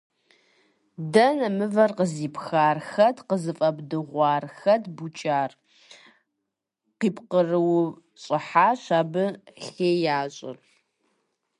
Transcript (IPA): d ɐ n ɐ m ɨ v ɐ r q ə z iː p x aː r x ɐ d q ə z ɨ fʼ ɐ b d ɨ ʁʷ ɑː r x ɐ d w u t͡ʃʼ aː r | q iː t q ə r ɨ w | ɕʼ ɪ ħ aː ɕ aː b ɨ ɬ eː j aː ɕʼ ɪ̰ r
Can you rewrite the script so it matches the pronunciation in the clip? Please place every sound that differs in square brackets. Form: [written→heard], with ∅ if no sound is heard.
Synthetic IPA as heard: d ɐ n ɐ m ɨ v ɐ r q ə z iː p x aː r x ɐ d q ə z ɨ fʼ ɐ b d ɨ ʁʷ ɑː r x ɐ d [w→b] u t͡ʃʼ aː r | q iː [t→p] q ə r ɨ w | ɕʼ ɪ ħ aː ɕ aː b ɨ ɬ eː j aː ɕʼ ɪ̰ r